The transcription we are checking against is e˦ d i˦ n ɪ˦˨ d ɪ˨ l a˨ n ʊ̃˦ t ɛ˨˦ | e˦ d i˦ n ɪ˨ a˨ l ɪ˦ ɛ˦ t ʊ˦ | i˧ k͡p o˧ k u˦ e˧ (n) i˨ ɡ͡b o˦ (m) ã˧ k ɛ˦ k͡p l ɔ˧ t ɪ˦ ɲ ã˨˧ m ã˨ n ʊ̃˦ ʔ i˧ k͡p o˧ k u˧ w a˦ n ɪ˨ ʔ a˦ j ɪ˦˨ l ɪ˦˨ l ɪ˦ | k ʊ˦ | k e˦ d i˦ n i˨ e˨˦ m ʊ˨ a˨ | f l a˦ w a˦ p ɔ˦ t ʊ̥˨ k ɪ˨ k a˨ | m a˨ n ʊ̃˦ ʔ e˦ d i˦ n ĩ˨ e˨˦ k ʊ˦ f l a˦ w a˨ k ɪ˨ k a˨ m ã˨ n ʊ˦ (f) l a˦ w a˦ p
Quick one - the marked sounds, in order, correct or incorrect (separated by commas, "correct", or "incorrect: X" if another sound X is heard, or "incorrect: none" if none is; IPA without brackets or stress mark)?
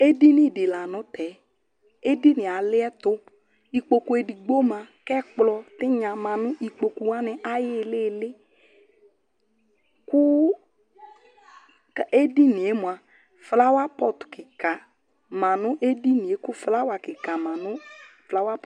incorrect: d, correct, correct